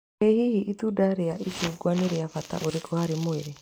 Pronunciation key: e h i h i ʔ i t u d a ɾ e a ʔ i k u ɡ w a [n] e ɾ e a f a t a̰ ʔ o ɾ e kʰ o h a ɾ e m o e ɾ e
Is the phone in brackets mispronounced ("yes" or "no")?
no